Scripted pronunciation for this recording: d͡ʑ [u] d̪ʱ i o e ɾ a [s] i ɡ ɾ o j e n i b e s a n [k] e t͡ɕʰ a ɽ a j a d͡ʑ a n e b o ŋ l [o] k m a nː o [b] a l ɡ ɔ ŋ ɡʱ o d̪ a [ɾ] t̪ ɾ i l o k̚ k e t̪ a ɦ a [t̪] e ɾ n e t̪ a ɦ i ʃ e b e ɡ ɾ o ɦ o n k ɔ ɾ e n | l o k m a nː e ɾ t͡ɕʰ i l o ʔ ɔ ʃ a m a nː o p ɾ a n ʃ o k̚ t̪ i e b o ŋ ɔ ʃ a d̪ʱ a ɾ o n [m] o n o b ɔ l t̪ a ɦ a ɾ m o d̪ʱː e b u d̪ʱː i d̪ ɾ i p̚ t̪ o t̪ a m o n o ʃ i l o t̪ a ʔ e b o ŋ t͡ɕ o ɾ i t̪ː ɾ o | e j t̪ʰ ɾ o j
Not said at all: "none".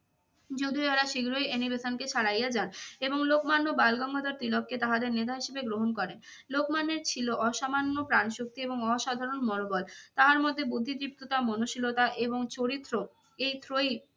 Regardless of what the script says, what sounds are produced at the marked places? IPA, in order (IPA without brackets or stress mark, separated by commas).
o, ʃ, k, o, b, ɾ, d̪, m